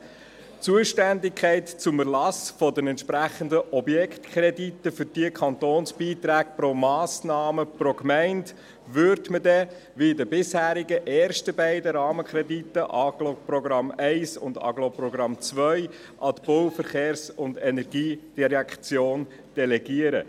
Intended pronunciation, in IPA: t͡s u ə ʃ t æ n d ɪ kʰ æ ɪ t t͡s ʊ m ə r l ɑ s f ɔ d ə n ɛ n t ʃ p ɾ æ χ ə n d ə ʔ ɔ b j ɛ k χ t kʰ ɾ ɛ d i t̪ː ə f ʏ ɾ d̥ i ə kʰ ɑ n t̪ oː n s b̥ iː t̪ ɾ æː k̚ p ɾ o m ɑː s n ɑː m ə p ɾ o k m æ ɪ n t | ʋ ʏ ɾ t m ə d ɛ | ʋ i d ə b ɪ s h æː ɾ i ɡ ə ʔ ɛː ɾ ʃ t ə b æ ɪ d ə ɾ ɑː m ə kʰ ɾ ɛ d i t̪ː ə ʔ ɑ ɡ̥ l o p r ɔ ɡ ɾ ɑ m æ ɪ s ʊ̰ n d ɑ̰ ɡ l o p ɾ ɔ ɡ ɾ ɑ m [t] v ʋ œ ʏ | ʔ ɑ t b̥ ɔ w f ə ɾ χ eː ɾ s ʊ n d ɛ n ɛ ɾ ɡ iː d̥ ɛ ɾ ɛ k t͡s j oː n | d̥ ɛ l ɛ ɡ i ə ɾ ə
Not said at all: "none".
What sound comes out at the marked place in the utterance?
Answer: t͡s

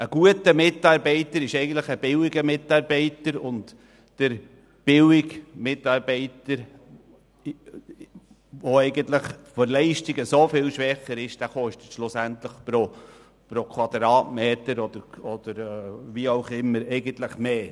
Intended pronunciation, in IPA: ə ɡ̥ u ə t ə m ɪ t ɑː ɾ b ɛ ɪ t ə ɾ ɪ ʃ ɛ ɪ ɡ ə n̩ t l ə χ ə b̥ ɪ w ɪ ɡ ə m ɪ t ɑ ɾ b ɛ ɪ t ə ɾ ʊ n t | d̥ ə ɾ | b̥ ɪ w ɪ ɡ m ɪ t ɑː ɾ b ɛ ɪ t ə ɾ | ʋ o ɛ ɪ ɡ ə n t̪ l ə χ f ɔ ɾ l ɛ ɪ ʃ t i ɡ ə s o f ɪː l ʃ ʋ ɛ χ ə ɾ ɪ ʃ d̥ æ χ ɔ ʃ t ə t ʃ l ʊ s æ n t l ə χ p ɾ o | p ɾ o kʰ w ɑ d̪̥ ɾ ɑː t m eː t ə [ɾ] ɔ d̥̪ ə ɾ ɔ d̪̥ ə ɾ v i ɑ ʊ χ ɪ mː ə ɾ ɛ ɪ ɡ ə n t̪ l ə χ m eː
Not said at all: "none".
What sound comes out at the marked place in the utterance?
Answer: ɾ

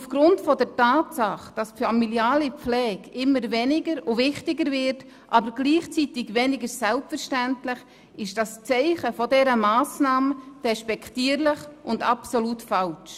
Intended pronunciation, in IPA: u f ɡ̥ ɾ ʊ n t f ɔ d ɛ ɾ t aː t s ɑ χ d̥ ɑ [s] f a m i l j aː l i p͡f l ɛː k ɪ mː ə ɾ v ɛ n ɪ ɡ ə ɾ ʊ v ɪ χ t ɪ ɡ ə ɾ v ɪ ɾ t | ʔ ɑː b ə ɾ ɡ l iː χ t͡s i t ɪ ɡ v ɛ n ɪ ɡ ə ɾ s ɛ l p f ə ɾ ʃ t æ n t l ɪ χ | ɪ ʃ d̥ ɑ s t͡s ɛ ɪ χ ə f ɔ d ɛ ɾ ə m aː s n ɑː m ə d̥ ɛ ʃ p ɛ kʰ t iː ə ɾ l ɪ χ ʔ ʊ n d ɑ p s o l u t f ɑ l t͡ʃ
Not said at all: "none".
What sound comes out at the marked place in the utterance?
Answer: s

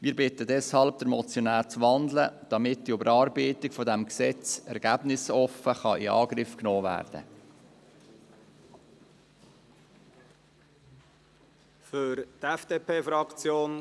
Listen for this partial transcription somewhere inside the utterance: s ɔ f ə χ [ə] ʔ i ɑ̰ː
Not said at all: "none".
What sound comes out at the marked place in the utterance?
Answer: ɑ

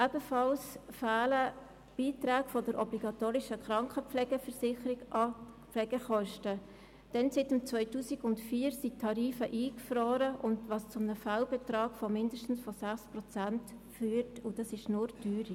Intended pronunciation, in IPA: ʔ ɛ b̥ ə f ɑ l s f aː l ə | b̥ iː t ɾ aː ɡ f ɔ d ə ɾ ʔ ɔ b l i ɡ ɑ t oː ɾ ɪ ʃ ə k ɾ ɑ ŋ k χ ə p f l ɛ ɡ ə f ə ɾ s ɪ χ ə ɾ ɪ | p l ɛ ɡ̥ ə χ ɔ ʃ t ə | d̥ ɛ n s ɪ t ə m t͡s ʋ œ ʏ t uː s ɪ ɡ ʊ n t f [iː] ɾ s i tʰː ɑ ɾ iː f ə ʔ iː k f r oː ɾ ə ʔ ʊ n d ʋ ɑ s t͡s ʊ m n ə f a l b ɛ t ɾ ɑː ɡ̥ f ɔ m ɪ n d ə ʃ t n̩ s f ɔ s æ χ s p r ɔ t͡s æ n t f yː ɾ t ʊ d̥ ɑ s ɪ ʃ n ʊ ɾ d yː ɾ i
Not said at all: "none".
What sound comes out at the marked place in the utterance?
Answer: iː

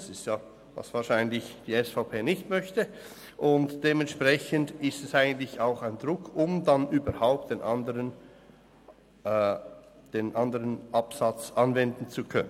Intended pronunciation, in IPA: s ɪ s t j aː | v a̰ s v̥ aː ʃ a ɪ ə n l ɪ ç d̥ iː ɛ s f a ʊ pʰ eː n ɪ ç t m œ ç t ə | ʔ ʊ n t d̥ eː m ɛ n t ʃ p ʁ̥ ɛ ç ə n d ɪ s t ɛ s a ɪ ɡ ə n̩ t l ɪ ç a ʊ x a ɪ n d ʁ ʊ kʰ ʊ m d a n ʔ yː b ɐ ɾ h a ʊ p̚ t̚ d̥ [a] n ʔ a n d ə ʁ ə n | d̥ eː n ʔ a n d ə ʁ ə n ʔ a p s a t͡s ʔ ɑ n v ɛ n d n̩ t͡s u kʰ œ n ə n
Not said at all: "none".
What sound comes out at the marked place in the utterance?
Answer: e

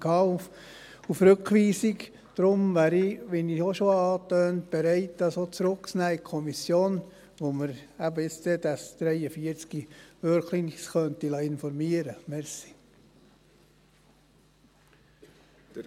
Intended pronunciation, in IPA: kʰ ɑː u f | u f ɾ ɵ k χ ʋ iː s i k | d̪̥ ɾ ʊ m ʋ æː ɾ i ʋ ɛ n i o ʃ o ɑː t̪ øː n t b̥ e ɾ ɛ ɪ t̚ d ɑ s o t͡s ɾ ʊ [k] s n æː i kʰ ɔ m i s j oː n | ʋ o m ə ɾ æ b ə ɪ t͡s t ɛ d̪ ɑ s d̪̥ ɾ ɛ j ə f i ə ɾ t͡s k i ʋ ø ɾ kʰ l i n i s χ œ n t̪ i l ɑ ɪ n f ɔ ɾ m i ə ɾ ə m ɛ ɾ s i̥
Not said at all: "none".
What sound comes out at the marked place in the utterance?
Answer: k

